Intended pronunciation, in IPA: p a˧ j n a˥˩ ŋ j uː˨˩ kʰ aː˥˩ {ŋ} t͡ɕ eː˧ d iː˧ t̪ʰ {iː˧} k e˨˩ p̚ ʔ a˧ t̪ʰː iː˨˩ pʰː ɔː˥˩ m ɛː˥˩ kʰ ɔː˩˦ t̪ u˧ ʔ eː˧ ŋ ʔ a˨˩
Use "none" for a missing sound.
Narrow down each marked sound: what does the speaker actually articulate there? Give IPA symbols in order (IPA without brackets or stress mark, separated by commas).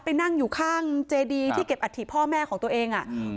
ŋ, iː˥˩